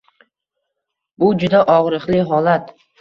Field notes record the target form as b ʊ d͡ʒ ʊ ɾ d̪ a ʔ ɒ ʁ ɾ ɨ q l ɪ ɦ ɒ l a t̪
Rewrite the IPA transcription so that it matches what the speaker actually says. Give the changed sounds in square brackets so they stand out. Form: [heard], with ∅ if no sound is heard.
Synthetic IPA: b ʊ d͡ʒ ʊ [∅] d̪ a ʔ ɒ ʁ ɾ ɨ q l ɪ ɦ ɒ l a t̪

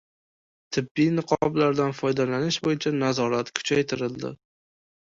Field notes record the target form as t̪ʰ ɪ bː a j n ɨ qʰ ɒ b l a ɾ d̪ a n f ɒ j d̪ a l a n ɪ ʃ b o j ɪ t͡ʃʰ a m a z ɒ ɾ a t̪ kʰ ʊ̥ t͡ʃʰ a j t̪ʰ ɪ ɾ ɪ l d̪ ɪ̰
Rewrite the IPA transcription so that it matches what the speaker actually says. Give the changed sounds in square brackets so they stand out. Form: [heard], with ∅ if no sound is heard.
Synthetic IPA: t̪ʰ ɪ bː [i] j n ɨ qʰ ɒ b l a ɾ d̪ a n f ɒ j d̪ a l a n ɪ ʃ b o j ɪ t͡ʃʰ a [n] a z ɒ ɾ a t̪ kʰ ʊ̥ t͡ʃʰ a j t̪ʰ ɪ ɾ ɪ l d̪ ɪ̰

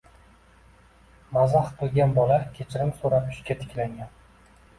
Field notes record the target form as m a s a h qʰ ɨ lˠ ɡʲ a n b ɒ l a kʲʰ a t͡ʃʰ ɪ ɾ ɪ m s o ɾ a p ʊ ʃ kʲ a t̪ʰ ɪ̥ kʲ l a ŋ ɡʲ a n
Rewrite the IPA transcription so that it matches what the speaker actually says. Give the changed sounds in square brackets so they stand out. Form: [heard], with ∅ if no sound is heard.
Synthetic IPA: m a [z] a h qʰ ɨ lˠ ɡʲ a n b ɒ l a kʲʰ [e] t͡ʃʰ ɪ ɾ ɪ m s o ɾ a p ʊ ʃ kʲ a t̪ʰ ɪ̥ kʲ l a ŋ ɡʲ a n

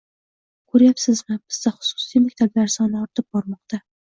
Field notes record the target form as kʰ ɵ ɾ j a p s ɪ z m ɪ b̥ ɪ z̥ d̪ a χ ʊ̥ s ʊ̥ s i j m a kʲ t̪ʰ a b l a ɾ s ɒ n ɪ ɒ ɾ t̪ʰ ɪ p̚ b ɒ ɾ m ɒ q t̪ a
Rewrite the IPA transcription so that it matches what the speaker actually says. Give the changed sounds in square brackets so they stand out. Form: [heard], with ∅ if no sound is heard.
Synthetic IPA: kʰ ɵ ɾ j a p s ɪ z m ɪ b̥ ɪ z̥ d̪ a χ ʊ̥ s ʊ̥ s i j m a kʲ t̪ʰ a b l a ɾ s ɒ n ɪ ɒ ɾ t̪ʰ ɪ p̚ b ɒ ɾ m ɒ q t̪ a

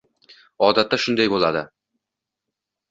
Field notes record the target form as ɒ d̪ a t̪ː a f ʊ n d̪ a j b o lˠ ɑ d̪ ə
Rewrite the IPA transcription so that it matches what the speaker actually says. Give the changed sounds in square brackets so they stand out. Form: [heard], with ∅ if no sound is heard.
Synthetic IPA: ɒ d̪ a t̪ː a [ʃ] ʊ n d̪ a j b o lˠ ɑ d̪ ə

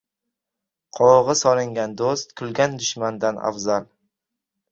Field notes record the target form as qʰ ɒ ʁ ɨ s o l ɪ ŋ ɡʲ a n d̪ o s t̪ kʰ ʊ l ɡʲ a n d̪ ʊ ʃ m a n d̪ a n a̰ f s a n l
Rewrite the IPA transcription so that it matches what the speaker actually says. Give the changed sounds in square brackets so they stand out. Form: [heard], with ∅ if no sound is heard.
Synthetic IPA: qʰ ɒ ʁ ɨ s [ɒ] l ɪ ŋ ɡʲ a n d̪ o s t̪ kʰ ʊ l ɡʲ a n d̪ ʊ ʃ m a n d̪ a n a̰ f [z] a [∅] l

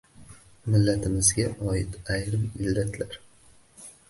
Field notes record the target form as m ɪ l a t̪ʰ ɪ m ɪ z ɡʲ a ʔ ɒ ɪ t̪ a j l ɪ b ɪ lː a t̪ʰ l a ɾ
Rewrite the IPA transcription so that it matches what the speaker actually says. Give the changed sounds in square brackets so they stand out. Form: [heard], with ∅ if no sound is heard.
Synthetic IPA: m ɪ [lː] a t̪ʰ ɪ m ɪ z ɡʲ a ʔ ɒ ɪ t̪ a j [ɾ] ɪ [m] ɪ lː a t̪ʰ l a ɾ

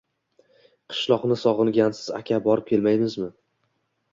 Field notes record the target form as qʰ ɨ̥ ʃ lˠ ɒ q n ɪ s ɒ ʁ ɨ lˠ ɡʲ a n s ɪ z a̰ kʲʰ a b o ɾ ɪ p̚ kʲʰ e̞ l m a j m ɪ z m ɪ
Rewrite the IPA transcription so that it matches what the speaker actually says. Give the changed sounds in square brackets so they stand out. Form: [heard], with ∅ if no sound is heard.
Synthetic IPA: qʰ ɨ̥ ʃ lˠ ɒ q n ɪ s ɒ ʁ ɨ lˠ ɡʲ a n s ɪ z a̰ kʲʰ a b [ɒ] ɾ ɪ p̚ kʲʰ e̞ l m a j m ɪ z m ɪ

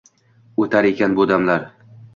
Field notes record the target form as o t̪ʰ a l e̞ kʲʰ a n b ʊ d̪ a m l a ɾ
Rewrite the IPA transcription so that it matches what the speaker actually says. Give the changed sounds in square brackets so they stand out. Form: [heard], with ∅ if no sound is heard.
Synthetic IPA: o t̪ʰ a [ɾ] e̞ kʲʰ a n b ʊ d̪ a m l a ɾ

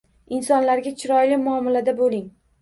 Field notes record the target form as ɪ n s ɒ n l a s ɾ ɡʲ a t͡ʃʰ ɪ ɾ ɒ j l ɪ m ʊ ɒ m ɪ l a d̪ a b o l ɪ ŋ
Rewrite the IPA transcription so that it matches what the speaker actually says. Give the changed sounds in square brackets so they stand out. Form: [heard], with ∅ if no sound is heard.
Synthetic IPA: ɪ n s ɒ n l a [∅] ɾ ɡʲ a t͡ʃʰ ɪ ɾ ɒ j l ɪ m ʊ ɒ m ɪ l a d̪ a b o l ɪ ŋ

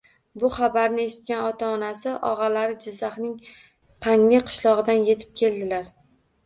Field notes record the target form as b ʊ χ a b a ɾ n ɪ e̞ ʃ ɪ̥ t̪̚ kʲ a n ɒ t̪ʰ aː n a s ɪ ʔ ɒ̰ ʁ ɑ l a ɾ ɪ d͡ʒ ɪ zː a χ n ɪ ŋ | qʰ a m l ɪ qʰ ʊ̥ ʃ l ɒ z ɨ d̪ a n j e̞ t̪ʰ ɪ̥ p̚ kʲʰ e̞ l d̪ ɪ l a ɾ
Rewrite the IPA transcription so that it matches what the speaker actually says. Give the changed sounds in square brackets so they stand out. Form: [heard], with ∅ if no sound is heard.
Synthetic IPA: b ʊ χ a b a ɾ n ɪ e̞ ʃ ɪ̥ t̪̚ kʲ a n ɒ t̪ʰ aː n a s ɪ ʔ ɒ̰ ʁ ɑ l a ɾ ɪ d͡ʒ ɪ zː a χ n ɪ ŋ | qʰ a [ŋ] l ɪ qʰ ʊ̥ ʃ l ɒ [ʁ] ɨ d̪ a n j e̞ t̪ʰ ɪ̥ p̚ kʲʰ e̞ l d̪ ɪ l a ɾ

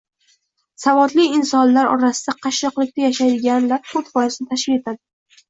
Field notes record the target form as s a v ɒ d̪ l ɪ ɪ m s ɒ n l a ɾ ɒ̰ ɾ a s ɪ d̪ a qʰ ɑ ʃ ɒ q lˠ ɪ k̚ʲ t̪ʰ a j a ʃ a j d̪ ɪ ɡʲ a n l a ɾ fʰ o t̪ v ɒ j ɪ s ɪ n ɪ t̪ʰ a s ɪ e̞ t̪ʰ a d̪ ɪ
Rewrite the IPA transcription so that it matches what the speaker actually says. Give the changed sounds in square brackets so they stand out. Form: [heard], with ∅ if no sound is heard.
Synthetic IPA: s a v ɒ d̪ l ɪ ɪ [n] s ɒ n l a ɾ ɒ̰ ɾ a s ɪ d̪ a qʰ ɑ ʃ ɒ q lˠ ɪ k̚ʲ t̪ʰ a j a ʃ a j d̪ ɪ ɡʲ a n l a ɾ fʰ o t̪ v ɒ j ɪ s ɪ n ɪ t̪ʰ a [ʃ] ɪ e̞ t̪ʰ a d̪ ɪ

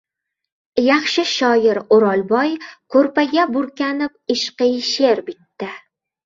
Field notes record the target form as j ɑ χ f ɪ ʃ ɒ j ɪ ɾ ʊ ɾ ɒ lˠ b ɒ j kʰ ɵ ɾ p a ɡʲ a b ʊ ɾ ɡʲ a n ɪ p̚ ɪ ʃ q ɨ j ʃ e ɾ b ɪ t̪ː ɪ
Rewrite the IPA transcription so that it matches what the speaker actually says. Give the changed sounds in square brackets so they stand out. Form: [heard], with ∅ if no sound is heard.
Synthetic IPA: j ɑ χ [ʃ] ɪ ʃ ɒ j ɪ ɾ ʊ ɾ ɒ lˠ b ɒ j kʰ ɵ ɾ p a ɡʲ a b ʊ ɾ [kʲ] a n ɪ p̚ ɪ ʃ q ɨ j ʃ e ɾ b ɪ t̪ː ɪ

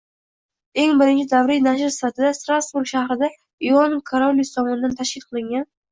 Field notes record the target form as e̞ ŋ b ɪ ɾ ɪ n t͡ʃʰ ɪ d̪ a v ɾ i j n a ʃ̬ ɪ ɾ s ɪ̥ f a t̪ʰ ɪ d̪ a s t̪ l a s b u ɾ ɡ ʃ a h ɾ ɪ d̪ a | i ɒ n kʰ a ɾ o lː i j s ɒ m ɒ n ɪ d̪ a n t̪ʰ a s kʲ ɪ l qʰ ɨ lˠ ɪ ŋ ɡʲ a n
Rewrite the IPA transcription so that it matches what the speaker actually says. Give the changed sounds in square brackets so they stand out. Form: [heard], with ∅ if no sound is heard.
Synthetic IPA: e̞ ŋ b ɪ ɾ ɪ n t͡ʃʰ ɪ d̪ a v ɾ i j n a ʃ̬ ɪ ɾ s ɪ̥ f a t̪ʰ ɪ d̪ a s t̪ [ɾ] a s b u ɾ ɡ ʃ a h ɾ ɪ d̪ a | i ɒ n kʰ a ɾ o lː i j s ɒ m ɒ n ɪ d̪ a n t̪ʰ a [ʃ] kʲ ɪ l qʰ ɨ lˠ ɪ ŋ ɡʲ a n

